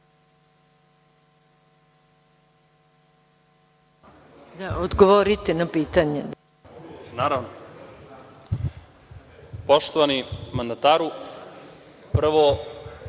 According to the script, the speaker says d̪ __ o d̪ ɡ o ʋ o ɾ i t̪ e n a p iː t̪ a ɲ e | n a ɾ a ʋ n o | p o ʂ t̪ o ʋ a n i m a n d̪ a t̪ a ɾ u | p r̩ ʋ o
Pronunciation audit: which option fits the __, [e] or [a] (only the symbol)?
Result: a